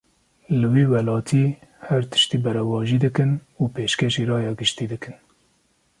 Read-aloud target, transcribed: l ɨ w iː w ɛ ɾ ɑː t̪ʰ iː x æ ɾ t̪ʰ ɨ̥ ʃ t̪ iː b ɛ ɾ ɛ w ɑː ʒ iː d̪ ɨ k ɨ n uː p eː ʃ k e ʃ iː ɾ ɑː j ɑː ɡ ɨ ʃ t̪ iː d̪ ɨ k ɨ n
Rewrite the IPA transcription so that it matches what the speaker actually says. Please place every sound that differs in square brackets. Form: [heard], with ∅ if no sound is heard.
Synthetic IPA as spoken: l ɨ w iː w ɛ [l] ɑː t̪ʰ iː [h] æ ɾ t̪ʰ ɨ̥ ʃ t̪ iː b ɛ ɾ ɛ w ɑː ʒ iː d̪ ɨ k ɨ n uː p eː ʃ k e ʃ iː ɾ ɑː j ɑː ɡ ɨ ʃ t̪ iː d̪ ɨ k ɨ n